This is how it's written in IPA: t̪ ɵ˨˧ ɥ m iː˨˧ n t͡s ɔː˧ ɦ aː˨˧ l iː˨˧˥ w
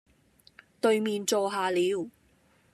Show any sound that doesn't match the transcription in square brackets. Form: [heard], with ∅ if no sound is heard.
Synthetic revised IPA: t̪ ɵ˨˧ ɥ m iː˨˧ n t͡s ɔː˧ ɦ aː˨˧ l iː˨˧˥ w